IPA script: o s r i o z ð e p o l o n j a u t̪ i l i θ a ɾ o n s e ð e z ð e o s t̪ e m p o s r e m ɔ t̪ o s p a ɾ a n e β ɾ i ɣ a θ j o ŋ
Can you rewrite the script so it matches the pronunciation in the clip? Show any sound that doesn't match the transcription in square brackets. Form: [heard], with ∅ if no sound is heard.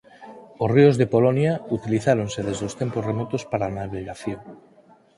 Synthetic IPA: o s r i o z ð e p o l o n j a u t̪ i l i θ a ɾ o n s e ð e z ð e o s t̪ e m p o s r e m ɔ t̪ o s p a ɾ a n [a] β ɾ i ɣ a θ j o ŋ

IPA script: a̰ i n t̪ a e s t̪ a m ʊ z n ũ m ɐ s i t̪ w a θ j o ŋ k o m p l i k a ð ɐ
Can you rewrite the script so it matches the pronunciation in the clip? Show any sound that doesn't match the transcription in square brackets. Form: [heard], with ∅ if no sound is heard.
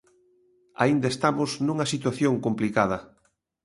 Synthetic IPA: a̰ i n [d̪] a e s t̪ a m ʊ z n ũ [ŋ] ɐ s i t̪ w a θ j o ŋ k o m p l i k a ð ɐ

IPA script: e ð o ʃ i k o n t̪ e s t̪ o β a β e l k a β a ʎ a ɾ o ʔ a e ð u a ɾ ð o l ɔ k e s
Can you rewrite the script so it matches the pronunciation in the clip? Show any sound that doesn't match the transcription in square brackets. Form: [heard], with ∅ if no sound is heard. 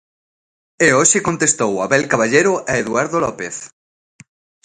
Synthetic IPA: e [∅] o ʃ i k o n t̪ e s t̪ o [w] a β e l k a β a ʎ [e] ɾ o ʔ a e ð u a ɾ ð o l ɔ [p] e [θ]

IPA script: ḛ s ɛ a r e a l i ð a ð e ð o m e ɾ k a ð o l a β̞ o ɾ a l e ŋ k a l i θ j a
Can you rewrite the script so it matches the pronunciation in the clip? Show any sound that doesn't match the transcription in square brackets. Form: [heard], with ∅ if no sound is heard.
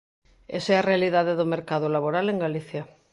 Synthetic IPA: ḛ s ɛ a r e a l i ð a ð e ð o m e ɾ k a ð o l a β̞ o ɾ a l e ŋ [ɡ] a l i θ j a

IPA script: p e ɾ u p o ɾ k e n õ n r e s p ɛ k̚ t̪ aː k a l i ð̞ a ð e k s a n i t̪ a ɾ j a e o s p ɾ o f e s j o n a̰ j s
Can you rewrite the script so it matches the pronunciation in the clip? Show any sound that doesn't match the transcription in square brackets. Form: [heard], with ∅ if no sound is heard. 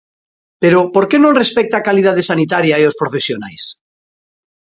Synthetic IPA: p e ɾ [o] p o ɾ k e n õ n r e s p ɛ k̚ t̪ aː k a l i ð̞ a ð e [∅] s a n i t̪ a ɾ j a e o s p ɾ o f e s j o n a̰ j s

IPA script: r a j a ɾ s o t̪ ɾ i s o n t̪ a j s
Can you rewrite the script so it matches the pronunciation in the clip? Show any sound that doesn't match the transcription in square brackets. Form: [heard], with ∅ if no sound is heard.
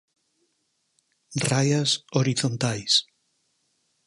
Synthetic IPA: r a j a [∅] s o [∅] ɾ i [θ] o n t̪ a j s

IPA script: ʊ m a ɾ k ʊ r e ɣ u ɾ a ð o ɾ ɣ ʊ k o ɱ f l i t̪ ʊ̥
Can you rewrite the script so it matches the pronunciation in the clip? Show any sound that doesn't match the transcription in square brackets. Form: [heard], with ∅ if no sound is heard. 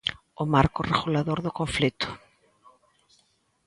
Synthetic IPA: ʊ m a ɾ k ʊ r e ɣ u [l] a ð o ɾ [ð] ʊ k o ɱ f l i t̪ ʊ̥

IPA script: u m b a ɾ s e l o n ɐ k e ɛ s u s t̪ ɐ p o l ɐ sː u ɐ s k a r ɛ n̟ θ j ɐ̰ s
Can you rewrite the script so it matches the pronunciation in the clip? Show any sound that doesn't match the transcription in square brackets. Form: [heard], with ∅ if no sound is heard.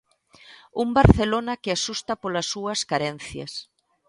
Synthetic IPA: u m b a ɾ [θ] e l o n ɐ k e [a] s u s t̪ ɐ p o l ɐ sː u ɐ s k a [ɾ] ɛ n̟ θ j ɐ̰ s

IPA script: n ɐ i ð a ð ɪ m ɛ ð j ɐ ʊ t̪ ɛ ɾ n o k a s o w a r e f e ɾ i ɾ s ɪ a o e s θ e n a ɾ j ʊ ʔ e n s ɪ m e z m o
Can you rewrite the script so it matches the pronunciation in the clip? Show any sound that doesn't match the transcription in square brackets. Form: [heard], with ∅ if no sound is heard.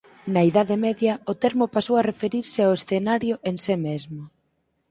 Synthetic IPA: n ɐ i ð a ð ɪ m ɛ ð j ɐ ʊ t̪ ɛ ɾ [m] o [p] a s o w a r e f e ɾ i ɾ s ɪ a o e s θ e n a ɾ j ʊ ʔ e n s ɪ m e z m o

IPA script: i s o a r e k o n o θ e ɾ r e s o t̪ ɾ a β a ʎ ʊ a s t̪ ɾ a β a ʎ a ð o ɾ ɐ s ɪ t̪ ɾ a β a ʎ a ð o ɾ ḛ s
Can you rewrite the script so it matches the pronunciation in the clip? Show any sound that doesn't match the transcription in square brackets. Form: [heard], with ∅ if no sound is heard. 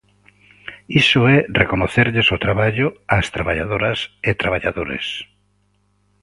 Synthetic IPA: i s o [ɛ] r e k o n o θ e ɾ [ʎ] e s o t̪ ɾ a β a ʎ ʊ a s t̪ ɾ a β a ʎ a ð o ɾ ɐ s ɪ t̪ ɾ a β a ʎ a ð o ɾ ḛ s

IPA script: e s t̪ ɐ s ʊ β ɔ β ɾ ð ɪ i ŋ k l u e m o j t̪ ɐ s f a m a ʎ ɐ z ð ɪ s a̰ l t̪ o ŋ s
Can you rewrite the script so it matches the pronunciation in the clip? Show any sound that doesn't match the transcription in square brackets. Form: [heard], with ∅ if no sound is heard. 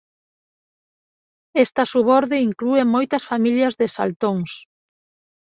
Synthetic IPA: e s t̪ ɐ s [u] β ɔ [∅] ɾ ð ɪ i ŋ k l u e m o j t̪ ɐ s f a m [i] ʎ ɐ z ð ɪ s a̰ l t̪ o ŋ s

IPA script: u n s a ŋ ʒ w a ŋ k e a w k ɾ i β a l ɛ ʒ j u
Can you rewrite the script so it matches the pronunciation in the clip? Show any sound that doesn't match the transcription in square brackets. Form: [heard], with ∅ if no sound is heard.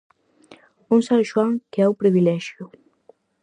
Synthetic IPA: u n s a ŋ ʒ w a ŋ k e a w [p] ɾ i β [i] l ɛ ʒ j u

